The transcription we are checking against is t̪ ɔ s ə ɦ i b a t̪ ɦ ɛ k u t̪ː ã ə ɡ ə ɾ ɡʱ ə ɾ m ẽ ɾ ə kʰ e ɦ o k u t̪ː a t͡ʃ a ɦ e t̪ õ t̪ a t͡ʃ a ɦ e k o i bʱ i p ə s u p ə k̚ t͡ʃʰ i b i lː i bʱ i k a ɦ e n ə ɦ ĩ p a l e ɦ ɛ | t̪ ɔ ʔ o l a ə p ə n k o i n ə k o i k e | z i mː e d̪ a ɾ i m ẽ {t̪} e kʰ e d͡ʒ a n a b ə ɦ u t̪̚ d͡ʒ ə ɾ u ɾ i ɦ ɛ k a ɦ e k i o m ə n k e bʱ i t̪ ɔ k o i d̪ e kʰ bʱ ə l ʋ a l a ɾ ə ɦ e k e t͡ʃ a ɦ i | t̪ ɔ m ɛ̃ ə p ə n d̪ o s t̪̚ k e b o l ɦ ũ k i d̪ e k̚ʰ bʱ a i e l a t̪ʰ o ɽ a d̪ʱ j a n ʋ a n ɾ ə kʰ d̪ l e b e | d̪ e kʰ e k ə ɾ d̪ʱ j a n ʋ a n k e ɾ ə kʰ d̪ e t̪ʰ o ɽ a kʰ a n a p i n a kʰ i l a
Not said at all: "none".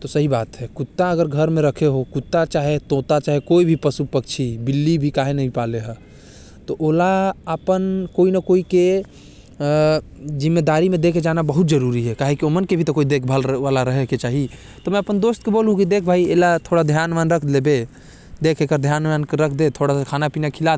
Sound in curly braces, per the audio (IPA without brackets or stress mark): d̪